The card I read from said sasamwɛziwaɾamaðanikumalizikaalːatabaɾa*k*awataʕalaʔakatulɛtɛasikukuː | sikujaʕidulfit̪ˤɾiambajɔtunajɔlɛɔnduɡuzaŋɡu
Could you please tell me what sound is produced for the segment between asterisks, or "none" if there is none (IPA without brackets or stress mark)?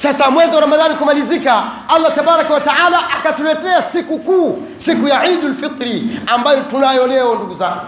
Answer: k